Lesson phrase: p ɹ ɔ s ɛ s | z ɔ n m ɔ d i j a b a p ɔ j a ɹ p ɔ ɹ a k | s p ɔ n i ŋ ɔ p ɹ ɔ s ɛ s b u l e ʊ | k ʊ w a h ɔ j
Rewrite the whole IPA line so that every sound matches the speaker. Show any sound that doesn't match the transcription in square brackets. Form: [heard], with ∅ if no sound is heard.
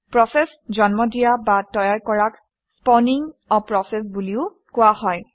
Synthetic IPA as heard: p ɹ ɔ s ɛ s | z ɔ n m ɔ d i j a b a [t] ɔ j a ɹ [k] ɔ ɹ a k | s p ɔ n i ŋ ɔ p ɹ ɔ s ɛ s b u l [i] ʊ | k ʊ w a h ɔ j